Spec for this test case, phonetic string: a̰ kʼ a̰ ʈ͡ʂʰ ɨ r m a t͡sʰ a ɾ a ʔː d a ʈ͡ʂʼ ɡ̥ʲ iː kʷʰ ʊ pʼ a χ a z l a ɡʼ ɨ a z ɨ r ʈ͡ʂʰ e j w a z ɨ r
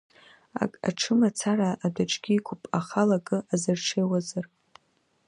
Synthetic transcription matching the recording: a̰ kʼ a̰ ʈ͡ʂʰ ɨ m a t͡sʰ a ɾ a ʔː d a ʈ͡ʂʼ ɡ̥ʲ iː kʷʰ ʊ pʼ a χ a l a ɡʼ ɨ a z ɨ r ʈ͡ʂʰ e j w a z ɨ r